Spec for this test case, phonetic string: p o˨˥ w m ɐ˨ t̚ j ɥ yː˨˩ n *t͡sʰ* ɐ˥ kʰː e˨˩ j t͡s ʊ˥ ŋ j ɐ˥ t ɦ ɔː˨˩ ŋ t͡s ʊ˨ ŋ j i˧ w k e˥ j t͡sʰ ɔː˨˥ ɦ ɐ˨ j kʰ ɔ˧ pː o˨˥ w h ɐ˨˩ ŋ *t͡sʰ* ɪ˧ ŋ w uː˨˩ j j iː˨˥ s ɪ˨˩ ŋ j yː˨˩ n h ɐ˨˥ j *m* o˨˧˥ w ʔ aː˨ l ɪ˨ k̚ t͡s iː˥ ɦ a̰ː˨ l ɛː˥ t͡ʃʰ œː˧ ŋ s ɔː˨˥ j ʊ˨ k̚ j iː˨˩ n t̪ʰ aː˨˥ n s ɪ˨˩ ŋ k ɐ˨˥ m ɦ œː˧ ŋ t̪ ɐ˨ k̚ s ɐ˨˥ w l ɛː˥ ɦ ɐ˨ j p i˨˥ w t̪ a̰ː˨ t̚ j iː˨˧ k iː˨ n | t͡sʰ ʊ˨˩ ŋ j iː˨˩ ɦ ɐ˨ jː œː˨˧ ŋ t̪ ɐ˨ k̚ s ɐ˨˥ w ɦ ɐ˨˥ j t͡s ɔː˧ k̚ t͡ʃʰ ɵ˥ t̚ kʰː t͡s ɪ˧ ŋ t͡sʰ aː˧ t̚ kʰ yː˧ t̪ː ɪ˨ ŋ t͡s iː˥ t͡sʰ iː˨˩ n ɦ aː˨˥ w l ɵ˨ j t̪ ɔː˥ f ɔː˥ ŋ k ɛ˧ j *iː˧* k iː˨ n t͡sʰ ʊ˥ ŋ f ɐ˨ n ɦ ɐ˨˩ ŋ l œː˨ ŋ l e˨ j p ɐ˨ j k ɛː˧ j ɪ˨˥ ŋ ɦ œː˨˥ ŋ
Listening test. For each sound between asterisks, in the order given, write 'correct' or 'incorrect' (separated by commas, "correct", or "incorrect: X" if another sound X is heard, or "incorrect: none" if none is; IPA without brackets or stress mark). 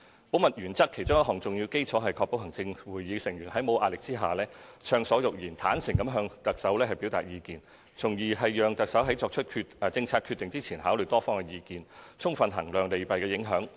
incorrect: t͡s, incorrect: t͡s, correct, correct